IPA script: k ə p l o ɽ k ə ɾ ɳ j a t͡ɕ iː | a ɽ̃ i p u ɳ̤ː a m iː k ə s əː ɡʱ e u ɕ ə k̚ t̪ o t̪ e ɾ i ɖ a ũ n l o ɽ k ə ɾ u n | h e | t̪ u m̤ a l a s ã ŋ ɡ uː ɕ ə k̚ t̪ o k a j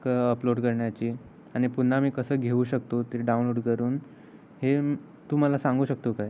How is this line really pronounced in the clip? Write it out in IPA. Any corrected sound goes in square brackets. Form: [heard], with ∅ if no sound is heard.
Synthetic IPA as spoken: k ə p l o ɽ k ə ɾ ɳ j a t͡ɕ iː | a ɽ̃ i p u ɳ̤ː a m iː k ə s əː ɡʱ e u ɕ ə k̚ t̪ o t̪ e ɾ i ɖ a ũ n l o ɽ k ə ɾ [uː] n | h e | t̪ u m̤ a l a s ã ŋ ɡ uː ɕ ə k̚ t̪ o k a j